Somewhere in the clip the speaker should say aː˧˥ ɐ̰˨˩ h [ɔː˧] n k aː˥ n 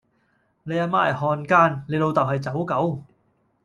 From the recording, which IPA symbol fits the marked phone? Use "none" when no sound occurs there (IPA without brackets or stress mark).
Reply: ɔː˧